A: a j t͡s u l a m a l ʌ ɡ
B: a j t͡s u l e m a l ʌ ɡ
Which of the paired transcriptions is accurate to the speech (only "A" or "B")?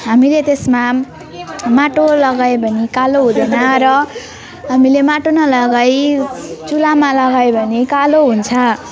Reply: A